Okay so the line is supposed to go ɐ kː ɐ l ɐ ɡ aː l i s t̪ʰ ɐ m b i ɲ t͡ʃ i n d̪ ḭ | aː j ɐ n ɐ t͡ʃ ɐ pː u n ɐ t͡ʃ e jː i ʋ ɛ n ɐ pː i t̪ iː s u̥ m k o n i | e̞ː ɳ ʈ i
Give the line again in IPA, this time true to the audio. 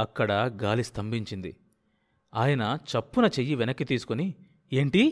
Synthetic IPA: ɐ kː ɐ ɽ ɐ ɡ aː l i s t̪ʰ ɐ m b i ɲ t͡ʃ i n d̪ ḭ | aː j ɐ n ɐ t͡ʃ ɐ pː u n ɐ t͡ʃ e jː i ʋ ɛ n ɐ kː i t̪ iː s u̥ k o n i | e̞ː ɳ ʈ i